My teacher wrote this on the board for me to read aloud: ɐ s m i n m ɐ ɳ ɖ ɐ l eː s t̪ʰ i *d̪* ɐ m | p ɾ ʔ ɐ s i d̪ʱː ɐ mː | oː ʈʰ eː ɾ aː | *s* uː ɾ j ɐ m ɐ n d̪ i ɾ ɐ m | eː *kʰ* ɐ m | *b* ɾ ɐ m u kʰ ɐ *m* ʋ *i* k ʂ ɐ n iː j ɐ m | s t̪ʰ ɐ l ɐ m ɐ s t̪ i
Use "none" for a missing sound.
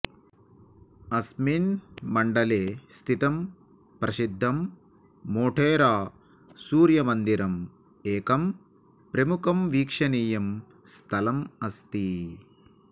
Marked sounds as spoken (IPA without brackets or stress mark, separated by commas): t̪, s, k, p, m, iː